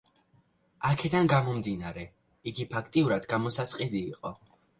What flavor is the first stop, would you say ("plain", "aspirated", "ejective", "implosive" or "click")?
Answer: aspirated